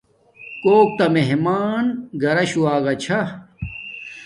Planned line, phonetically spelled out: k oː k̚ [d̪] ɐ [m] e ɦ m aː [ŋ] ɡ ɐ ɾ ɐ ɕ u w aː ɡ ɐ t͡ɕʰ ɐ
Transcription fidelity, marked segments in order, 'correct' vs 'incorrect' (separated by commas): incorrect, correct, incorrect